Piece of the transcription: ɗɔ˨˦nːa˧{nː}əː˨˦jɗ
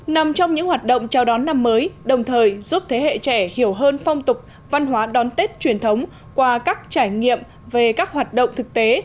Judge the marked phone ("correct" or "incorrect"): incorrect